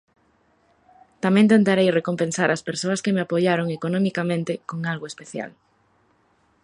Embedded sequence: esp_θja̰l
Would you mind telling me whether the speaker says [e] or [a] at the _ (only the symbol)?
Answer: e